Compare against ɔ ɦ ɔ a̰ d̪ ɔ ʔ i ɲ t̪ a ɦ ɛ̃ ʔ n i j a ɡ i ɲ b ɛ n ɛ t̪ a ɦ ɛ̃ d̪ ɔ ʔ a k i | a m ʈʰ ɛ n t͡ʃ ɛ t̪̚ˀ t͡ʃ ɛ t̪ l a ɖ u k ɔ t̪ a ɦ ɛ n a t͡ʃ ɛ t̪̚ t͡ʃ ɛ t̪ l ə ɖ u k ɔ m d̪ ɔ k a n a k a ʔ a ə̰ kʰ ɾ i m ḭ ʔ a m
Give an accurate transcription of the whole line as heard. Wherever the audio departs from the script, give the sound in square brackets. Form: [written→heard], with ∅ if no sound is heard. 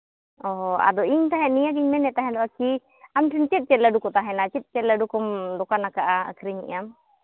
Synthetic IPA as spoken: ɔ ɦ ɔ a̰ d̪ ɔ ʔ i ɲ t̪ a ɦ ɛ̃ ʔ n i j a ɡ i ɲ [b→m] ɛ n ɛ t̪ a ɦ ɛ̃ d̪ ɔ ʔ a k i | a m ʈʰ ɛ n t͡ʃ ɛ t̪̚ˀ t͡ʃ ɛ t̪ l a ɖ u k ɔ t̪ a ɦ ɛ n a t͡ʃ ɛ t̪̚ t͡ʃ ɛ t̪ l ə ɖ u k ɔ m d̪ ɔ k a n a k a ʔ a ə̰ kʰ ɾ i [m→ɲ] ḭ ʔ a m